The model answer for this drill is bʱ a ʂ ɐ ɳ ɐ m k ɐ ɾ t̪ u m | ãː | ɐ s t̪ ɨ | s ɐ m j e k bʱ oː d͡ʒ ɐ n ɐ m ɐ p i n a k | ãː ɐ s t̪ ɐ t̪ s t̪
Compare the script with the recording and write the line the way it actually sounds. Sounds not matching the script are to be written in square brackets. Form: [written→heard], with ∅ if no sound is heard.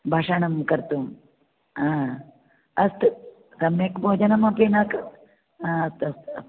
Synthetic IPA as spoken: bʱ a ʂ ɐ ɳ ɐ m k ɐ ɾ t̪ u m | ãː | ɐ s t̪ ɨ | s ɐ m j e k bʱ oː d͡ʒ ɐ n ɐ m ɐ p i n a k | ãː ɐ s t̪ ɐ [t̪→∅] s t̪